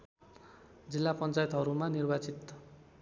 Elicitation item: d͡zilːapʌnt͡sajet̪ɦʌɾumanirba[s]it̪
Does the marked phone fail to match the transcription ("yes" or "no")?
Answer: yes